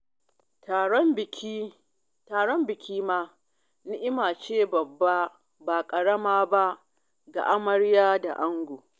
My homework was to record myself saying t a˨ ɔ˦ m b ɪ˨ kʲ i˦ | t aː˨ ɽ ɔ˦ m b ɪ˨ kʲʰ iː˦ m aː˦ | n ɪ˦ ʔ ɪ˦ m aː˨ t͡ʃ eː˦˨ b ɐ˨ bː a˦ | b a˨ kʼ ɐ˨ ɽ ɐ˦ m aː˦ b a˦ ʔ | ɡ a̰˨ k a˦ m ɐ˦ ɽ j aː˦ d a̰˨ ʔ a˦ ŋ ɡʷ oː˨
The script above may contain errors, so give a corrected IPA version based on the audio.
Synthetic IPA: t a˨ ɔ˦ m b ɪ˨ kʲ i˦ | t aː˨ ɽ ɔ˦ m b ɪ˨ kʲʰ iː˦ m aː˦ | n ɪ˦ ʔ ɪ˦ m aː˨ t͡ʃ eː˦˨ b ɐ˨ bː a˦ | b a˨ kʼ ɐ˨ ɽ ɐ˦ m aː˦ b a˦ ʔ | ɡ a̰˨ ʔ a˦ m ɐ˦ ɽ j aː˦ d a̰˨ ʔ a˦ ŋ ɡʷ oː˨